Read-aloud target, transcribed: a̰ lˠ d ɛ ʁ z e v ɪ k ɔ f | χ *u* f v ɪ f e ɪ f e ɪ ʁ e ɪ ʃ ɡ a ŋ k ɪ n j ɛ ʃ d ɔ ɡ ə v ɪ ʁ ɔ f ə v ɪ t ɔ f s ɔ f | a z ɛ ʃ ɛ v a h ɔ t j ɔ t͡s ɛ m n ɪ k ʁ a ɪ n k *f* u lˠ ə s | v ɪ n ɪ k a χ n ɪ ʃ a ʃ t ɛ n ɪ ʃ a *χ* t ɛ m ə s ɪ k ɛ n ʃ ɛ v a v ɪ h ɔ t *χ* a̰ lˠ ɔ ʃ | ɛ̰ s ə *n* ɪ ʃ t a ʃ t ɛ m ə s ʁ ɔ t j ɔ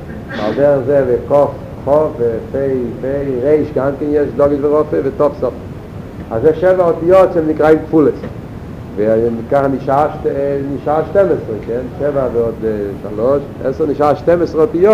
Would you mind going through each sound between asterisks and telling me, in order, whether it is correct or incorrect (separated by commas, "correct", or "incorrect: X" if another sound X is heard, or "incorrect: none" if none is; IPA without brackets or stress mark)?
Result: incorrect: ɔ, correct, incorrect: ʃ, incorrect: ʃ, correct